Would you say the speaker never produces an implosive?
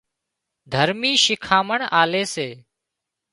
yes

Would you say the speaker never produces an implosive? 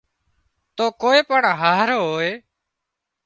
yes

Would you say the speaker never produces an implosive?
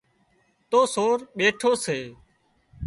no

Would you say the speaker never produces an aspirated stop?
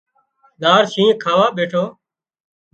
no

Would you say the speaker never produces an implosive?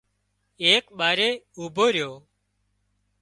no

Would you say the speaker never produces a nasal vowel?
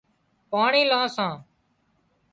no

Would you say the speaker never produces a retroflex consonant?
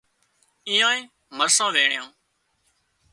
no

